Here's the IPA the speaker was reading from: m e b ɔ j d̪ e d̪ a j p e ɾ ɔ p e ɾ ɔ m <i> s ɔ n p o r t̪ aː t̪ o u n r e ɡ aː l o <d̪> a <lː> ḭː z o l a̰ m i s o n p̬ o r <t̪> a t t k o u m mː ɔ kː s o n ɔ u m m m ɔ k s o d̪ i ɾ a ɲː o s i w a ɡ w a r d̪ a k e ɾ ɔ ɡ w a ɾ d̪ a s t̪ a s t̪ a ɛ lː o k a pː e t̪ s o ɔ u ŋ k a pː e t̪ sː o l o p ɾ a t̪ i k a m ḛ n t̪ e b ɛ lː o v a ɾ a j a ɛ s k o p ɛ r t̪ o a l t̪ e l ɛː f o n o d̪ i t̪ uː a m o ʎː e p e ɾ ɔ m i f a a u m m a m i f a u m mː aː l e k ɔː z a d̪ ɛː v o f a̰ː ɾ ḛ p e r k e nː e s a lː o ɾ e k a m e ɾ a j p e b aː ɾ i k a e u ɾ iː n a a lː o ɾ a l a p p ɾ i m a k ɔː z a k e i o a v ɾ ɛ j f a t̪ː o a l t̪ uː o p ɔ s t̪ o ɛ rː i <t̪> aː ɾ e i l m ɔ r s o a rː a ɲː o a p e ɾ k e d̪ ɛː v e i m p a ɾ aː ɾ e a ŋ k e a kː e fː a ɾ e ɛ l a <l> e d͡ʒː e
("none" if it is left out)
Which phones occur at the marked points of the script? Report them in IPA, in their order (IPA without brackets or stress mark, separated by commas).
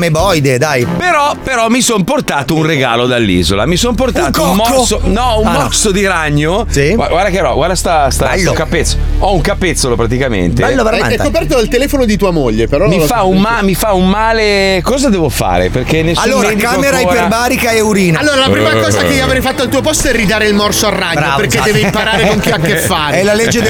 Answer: i, d̪, lː, t̪, d̪, l